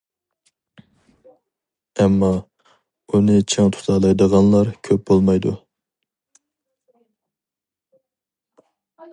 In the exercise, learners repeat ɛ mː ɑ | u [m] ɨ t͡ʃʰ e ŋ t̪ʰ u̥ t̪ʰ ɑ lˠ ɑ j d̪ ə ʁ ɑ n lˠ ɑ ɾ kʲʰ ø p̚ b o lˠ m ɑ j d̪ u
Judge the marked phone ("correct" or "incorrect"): incorrect